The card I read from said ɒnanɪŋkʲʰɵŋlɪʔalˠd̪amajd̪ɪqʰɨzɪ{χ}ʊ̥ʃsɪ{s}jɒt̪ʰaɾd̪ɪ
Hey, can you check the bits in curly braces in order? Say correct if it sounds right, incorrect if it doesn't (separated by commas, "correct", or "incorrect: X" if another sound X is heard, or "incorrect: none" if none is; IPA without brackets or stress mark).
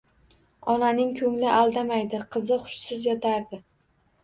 correct, incorrect: z